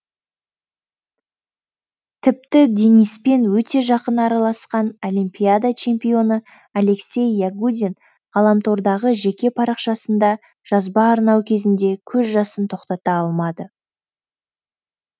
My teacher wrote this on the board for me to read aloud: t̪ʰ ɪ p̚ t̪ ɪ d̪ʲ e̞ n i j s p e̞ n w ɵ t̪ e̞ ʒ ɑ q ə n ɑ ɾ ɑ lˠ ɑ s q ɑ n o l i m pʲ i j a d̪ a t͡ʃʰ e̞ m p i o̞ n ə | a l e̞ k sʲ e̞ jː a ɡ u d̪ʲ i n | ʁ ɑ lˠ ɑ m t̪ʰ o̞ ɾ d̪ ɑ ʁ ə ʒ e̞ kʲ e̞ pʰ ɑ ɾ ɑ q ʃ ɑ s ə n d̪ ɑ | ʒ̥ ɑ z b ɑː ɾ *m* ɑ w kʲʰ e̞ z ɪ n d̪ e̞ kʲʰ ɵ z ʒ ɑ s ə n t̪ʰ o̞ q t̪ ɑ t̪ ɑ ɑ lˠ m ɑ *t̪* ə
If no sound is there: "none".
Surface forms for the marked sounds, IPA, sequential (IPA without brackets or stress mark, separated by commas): n, d̪